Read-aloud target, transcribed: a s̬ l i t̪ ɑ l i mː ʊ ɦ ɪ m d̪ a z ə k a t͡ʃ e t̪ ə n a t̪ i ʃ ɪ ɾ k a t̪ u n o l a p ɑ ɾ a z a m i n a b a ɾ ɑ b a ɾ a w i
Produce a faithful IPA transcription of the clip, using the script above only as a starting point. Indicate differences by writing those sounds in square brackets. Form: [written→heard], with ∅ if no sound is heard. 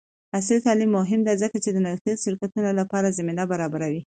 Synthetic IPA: a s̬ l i t̪ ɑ l i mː ʊ ɦ ɪ m d̪ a z ə k a t͡ʃ e [t̪→d̪] ə n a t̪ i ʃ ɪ ɾ k a t̪ u n o l a p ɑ ɾ a z a m i n a b a ɾ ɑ b a ɾ a w i